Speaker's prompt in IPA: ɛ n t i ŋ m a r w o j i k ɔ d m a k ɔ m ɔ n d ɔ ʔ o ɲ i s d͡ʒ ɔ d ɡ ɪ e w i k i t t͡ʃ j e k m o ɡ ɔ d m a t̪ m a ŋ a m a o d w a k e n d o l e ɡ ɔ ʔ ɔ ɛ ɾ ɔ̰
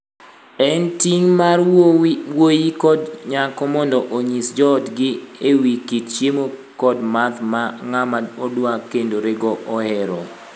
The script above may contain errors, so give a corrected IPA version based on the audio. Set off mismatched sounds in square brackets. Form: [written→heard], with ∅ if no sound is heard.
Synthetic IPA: ɛ n t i ŋ m a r w o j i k ɔ d [m→ɲ] a k ɔ m ɔ n d ɔ ʔ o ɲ i s d͡ʒ ɔ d ɡ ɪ e w i k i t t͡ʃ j e [k→∅] m o [ɡ→k] ɔ d m a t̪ m a ŋ a m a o d w a k e n d o [l→ɾ] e ɡ ɔ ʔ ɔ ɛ ɾ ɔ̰